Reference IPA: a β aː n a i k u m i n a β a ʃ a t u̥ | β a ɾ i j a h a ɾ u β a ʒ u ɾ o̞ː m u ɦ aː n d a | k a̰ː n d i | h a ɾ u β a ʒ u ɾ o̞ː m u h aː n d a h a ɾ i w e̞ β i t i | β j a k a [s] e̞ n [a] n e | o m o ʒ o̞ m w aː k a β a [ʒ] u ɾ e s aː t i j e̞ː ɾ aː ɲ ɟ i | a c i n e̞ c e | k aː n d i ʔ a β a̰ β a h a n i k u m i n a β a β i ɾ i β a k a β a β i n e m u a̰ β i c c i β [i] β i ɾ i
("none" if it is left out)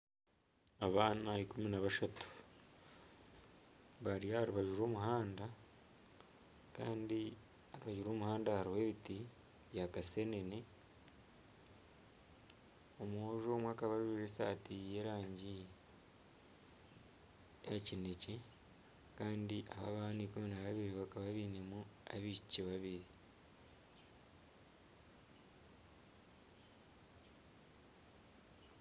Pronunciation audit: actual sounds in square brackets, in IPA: s, e, ʒ, a

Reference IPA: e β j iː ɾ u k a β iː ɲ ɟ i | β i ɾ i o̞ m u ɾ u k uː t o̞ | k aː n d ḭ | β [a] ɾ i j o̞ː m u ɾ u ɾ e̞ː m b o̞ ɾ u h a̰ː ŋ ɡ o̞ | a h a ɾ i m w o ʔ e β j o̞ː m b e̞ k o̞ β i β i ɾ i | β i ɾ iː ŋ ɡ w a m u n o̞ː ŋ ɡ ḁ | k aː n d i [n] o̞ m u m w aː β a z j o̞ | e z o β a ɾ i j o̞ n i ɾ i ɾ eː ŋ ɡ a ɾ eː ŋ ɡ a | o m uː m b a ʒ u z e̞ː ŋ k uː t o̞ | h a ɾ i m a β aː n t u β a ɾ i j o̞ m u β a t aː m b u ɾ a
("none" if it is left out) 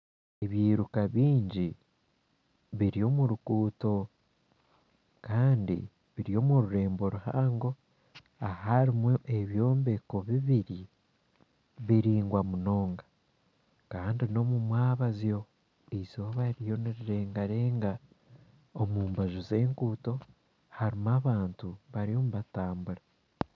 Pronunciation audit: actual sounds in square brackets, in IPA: i, n

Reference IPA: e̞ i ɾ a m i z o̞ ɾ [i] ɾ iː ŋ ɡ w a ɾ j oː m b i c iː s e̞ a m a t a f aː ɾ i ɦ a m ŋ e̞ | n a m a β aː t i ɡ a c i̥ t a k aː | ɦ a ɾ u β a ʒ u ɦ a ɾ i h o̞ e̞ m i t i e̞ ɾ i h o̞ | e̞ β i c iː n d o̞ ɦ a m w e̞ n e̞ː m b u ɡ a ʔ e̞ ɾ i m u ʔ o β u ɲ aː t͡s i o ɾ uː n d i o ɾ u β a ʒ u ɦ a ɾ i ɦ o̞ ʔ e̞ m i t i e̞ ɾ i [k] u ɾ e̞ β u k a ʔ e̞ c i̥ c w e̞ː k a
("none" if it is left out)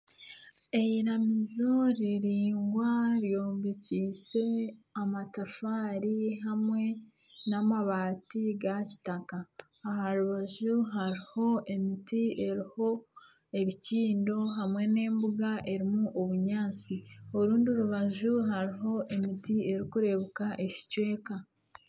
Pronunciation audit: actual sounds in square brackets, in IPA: i, k

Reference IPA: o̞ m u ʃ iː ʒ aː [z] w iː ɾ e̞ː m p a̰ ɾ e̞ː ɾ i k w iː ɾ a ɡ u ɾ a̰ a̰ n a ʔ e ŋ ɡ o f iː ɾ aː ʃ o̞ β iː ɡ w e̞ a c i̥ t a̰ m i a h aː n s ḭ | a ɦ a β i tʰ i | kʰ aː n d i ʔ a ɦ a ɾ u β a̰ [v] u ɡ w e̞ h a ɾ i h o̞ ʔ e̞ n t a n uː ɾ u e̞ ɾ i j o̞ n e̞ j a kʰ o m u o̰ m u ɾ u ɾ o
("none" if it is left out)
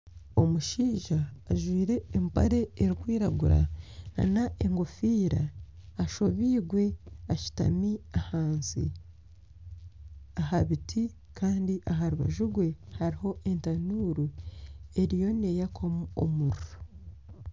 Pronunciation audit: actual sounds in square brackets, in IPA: ʒ, ʒ

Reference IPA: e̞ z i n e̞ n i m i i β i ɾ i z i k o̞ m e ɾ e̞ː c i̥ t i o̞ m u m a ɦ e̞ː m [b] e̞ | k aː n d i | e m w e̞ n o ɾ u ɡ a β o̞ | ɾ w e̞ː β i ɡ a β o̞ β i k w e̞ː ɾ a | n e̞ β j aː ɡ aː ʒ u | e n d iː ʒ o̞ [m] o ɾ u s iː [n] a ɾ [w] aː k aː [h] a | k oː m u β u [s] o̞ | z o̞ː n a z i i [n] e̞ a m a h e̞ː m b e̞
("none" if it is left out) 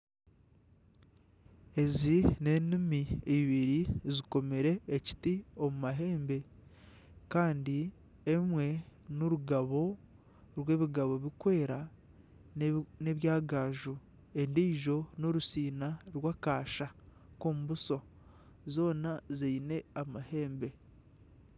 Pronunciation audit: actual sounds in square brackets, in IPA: b, n, n, w, ʃ, s, n

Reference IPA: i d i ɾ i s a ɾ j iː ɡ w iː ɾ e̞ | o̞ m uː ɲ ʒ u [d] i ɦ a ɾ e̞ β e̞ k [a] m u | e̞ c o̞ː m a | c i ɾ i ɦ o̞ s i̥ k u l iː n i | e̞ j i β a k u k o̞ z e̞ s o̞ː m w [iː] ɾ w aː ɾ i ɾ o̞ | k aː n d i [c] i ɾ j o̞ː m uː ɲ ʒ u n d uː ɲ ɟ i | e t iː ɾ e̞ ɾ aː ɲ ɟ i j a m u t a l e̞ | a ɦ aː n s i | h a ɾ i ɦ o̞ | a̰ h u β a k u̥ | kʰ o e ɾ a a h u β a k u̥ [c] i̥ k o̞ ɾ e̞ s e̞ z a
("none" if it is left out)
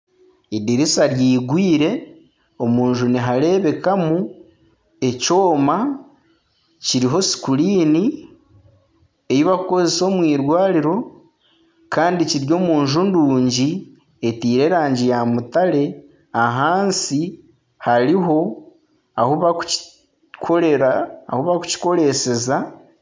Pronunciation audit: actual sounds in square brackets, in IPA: n, a, iː, c, c

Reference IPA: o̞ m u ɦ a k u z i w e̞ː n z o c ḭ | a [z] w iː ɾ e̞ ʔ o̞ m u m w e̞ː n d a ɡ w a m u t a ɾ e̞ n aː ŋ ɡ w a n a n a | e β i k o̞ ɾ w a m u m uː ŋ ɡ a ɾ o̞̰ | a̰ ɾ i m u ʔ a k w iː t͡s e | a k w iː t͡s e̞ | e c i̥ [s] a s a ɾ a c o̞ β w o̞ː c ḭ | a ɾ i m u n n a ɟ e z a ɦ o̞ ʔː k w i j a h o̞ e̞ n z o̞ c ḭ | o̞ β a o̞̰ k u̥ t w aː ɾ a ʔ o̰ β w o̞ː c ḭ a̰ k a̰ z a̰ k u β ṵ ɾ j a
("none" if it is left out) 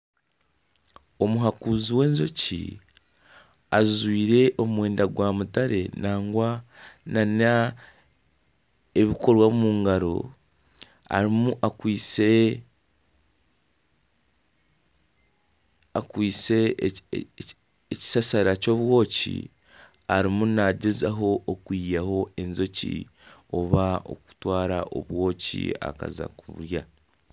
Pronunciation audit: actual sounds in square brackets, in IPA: z, s

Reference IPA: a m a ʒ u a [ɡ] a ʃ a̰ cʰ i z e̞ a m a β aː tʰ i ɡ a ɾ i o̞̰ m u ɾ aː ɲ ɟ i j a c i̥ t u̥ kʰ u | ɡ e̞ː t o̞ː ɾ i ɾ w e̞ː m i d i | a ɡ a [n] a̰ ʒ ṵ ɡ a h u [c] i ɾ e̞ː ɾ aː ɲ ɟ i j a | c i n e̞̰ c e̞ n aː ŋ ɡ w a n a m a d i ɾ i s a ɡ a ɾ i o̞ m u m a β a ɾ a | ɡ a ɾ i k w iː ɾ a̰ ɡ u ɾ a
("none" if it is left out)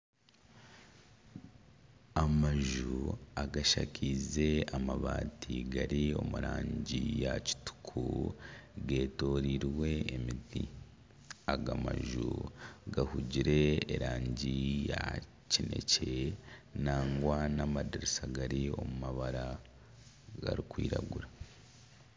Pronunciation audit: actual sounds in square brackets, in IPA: ɡ, m, ɟ

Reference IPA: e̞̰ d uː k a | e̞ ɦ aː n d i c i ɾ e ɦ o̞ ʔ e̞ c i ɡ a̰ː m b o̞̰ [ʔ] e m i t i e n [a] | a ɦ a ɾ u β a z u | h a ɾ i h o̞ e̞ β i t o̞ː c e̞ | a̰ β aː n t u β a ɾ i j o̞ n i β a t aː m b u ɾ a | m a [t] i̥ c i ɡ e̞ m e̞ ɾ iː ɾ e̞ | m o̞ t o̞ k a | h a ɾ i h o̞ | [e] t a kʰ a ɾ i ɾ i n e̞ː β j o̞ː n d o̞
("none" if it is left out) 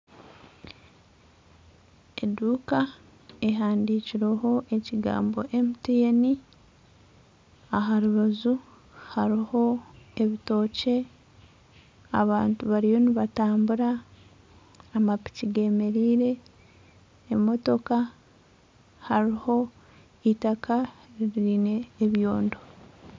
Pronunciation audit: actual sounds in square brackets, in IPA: ʔ, i, p, i

